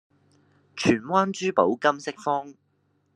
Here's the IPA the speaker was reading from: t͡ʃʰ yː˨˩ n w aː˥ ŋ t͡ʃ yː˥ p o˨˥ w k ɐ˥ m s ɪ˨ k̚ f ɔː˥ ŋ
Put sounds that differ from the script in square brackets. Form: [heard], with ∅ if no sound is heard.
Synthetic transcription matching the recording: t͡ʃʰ yː˨˩ n w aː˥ [n] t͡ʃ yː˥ p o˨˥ w k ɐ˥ m s [ɪ˥] k̚ f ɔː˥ ŋ